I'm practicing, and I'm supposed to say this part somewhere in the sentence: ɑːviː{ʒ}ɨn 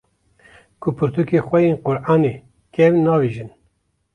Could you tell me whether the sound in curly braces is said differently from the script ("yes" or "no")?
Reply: no